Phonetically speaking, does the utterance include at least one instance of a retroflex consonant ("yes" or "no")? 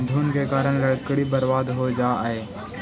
yes